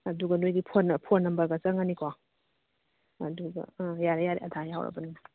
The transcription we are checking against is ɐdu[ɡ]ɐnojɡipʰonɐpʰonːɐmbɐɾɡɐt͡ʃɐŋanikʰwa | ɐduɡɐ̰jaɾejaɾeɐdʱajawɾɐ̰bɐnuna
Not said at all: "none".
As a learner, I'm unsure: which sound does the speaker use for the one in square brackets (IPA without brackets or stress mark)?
ɡ